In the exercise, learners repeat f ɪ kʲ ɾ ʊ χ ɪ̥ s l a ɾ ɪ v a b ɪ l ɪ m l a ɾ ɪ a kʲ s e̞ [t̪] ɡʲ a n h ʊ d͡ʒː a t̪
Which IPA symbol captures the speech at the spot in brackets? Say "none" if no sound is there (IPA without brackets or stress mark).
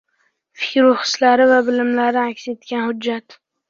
t̪